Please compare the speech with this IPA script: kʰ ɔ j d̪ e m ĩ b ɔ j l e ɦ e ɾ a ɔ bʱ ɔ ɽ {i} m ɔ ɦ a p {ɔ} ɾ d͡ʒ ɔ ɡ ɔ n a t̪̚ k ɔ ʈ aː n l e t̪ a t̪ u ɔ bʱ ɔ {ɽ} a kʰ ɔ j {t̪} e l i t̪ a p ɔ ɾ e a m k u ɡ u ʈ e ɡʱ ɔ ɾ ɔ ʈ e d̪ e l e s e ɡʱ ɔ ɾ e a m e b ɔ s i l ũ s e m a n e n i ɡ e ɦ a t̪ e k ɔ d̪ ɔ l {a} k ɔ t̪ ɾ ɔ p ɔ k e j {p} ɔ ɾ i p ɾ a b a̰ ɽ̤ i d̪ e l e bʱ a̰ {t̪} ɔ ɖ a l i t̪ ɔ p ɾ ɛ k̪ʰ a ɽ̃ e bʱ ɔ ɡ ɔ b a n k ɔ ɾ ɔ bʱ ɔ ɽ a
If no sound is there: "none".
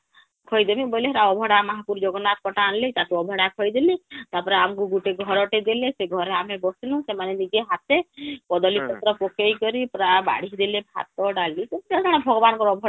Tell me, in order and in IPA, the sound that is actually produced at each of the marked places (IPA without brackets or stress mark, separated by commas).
a, u, ɽ, d̪, i, k, t̪